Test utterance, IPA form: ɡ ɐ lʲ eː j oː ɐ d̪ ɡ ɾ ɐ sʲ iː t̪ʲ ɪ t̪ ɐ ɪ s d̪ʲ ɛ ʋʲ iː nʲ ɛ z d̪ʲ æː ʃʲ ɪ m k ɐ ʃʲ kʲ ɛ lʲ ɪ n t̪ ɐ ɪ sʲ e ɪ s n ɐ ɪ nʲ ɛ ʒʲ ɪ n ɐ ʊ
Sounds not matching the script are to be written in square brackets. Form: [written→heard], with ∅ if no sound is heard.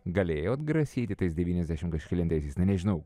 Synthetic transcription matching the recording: ɡ ɐ lʲ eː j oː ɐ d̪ ɡ ɾ ɐ sʲ iː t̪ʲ ɪ t̪ ɐ ɪ s d̪ʲ ɛ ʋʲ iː nʲ ɛ z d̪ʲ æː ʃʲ ɪ m k ɐ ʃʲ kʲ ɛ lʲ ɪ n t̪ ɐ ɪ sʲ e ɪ s n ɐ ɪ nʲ ɛ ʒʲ ɪ n ɐ ʊ